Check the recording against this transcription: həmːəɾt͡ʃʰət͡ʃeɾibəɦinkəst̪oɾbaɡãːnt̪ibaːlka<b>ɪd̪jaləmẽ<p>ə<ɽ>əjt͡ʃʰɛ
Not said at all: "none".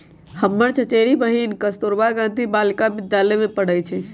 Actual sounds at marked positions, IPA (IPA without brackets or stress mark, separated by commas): b, p, ɽ